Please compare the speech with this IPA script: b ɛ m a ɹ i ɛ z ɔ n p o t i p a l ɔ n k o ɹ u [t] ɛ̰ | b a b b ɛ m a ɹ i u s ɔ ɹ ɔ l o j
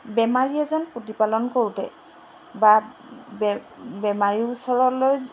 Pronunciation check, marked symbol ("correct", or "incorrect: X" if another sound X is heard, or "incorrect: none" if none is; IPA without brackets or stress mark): correct